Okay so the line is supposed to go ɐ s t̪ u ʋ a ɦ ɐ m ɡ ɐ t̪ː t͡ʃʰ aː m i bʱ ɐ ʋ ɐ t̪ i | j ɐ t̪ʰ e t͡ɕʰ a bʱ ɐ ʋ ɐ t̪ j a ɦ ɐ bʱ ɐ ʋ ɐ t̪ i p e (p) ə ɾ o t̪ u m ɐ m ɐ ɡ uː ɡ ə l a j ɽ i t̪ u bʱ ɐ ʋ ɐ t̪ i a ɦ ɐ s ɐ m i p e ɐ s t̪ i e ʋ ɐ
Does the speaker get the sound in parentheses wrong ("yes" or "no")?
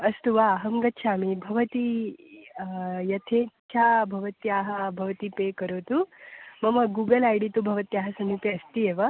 yes